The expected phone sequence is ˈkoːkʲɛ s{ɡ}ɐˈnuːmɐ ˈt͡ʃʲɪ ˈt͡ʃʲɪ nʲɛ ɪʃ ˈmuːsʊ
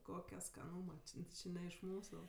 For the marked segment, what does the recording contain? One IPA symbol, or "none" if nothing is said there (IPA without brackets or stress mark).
k